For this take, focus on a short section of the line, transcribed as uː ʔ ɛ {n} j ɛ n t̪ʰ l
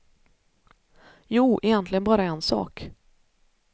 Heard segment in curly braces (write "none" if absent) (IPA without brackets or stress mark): none